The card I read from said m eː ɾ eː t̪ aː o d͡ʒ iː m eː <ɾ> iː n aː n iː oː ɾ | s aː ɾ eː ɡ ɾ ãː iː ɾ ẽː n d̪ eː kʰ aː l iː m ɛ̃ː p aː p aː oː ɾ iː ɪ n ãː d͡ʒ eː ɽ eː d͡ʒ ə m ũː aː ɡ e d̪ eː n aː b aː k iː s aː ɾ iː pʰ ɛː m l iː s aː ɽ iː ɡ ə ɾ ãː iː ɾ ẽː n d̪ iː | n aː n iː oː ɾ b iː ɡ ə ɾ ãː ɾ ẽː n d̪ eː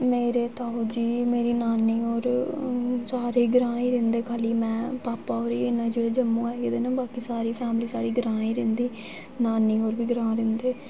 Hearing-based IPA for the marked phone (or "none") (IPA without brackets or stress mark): ɾ